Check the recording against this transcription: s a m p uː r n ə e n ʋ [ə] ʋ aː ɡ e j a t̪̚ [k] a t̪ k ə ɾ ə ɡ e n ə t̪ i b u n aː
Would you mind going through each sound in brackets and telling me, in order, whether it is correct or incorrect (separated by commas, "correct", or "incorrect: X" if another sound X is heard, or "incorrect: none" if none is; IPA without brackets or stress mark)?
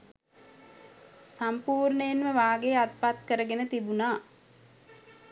correct, incorrect: p